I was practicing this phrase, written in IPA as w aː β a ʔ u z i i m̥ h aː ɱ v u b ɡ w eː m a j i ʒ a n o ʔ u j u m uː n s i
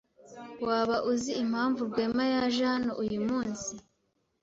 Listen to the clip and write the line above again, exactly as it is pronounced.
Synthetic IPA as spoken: w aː β a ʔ u z i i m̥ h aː ɱ v u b ɡ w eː m a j a ʒ a n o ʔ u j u m uː n s i